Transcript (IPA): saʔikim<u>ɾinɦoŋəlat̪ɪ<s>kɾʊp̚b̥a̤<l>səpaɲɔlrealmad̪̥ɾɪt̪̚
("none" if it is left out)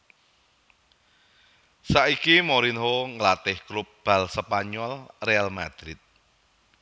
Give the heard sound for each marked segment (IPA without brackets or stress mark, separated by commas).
o, h, l